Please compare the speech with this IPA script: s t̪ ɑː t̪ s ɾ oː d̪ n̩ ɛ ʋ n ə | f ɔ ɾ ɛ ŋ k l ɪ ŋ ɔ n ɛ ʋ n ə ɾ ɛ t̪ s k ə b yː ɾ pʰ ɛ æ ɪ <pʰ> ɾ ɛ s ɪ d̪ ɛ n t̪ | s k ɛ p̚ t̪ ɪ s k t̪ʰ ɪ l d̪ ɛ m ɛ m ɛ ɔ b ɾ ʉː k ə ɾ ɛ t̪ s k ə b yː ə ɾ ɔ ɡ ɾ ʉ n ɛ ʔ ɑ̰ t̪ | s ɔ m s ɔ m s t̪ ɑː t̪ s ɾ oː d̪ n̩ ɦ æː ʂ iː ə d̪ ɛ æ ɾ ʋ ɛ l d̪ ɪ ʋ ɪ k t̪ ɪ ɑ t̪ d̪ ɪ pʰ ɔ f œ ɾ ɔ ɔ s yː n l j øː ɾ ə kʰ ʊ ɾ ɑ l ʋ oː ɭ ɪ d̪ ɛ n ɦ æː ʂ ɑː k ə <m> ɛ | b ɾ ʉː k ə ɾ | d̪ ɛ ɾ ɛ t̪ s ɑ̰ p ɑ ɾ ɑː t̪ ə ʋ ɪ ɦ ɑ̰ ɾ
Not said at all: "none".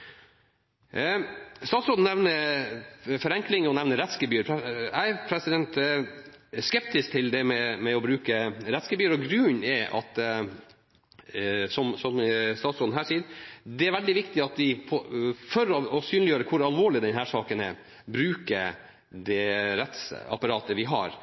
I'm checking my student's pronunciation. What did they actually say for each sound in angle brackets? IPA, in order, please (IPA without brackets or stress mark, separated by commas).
pʰ, n